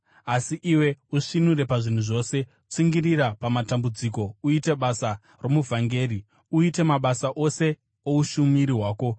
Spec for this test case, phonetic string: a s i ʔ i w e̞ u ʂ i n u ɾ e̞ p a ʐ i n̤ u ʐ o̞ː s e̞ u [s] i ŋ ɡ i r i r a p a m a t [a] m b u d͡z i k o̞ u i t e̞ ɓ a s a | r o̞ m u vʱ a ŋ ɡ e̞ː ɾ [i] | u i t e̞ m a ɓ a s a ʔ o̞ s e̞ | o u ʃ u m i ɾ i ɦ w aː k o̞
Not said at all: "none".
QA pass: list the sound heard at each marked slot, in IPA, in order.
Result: t͡s, a, i

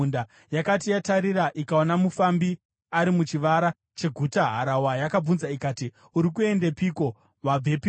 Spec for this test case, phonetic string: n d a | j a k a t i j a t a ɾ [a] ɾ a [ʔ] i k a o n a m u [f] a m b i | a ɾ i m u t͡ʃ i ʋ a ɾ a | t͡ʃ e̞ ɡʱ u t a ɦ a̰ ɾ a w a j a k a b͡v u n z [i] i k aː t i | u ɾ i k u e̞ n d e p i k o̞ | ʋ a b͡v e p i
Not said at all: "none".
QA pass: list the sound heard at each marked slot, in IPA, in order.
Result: i, ʔ, f, a

